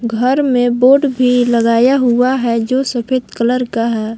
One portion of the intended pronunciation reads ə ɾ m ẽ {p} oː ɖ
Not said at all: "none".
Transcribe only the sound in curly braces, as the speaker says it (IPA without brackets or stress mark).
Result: b